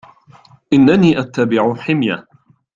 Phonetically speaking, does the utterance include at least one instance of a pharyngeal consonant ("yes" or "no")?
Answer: yes